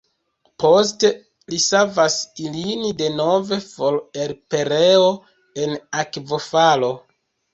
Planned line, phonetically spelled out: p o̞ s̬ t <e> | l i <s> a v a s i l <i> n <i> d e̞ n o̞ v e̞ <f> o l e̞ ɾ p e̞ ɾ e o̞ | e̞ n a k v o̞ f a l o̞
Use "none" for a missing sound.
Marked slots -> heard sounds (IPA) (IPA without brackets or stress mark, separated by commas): e, s, i, i, f